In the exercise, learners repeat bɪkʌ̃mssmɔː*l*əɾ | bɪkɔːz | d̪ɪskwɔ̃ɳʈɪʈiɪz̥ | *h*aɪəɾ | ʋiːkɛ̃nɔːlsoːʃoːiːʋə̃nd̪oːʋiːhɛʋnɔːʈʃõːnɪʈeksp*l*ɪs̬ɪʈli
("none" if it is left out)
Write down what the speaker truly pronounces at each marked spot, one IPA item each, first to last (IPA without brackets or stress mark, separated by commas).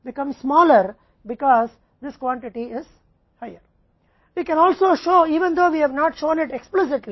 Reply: l, h, l